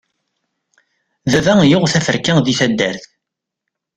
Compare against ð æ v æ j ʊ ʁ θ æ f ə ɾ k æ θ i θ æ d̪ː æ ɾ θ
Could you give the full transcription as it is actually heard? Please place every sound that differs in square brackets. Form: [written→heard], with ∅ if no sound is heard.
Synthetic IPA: ð æ v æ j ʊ ʁ θ æ f ə ɾ k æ [θ→ð] i θ æ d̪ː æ ɾ θ